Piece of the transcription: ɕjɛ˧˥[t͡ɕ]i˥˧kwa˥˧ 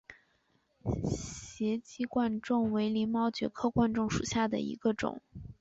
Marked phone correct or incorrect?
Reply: correct